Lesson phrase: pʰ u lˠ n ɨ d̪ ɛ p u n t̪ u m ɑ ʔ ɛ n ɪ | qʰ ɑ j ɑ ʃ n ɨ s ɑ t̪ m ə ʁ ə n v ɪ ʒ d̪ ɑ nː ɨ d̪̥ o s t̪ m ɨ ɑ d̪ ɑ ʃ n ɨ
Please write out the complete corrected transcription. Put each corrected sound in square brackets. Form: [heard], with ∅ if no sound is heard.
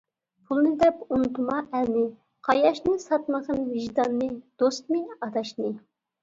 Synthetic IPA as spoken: pʰ u lˠ n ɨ d̪ ɛ p u n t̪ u m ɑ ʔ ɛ n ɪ | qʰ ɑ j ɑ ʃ n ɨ s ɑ t̪ m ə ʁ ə n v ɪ ʒ d̪ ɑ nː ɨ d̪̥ o s t̪ m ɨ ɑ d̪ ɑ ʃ n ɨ